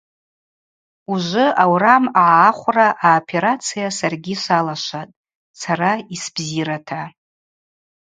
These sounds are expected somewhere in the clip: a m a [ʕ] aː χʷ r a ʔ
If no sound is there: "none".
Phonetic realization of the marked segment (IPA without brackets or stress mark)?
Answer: ʕ